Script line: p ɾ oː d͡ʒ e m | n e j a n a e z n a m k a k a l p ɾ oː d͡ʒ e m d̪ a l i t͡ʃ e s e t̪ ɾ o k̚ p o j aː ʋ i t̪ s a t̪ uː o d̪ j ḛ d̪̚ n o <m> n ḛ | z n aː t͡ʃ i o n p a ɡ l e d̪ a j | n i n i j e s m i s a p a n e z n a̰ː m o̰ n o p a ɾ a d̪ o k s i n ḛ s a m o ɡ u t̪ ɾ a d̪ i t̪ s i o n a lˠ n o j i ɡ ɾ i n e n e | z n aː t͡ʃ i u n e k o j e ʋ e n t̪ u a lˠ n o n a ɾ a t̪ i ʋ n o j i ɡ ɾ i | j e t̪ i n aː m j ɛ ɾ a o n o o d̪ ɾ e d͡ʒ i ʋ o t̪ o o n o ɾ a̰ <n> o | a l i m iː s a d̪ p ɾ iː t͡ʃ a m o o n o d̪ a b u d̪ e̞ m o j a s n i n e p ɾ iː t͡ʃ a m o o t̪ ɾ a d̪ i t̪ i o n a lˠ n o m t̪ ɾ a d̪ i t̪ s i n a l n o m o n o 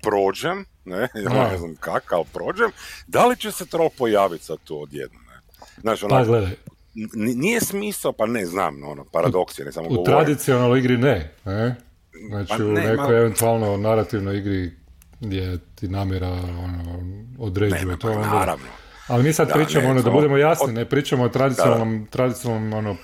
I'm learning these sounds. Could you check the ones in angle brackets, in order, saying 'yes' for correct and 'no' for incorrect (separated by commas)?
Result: yes, yes